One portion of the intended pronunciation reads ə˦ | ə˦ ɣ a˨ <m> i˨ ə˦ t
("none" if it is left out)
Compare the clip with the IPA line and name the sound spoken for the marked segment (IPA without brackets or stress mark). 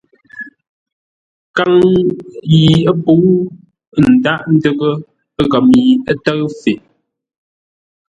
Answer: m